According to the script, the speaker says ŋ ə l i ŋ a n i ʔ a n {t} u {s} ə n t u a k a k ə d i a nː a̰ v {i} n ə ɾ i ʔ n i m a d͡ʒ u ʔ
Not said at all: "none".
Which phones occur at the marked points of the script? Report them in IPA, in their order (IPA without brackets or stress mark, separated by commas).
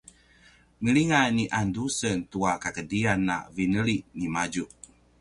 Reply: d, s, i